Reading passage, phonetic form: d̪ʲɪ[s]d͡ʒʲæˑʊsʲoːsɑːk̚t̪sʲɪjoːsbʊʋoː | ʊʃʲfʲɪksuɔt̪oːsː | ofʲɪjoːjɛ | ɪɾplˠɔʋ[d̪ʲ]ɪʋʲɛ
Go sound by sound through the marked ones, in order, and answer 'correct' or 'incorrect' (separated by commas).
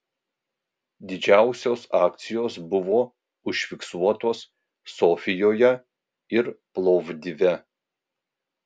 incorrect, correct